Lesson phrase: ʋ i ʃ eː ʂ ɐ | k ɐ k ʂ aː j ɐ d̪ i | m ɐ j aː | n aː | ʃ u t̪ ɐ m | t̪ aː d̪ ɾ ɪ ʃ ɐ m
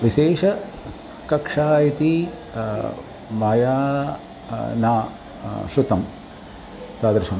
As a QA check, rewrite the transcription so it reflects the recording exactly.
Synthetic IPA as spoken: ʋ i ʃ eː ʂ ɐ | k ɐ k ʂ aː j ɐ t̪ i | m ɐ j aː | n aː | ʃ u t̪ ɐ m | t̪ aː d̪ ɾ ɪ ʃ ɐ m